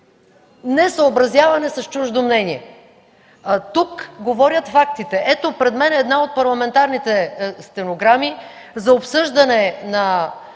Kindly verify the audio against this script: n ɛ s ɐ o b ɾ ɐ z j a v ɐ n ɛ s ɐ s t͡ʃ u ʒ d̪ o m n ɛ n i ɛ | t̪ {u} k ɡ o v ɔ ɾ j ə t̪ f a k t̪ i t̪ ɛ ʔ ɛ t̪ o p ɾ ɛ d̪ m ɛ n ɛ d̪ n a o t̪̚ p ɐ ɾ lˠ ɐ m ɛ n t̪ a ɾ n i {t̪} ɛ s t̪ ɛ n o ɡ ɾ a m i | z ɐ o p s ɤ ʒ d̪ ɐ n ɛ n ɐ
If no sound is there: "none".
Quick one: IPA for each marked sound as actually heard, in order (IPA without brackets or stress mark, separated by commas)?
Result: u, t̪